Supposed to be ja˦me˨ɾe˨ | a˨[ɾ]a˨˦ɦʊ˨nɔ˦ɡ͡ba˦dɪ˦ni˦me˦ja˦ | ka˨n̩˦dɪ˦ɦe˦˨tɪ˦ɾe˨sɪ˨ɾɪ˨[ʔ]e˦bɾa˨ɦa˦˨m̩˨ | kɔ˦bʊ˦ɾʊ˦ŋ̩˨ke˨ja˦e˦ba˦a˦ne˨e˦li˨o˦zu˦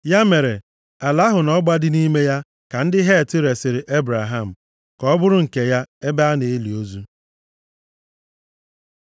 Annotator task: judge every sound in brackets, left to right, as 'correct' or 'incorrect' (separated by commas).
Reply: incorrect, correct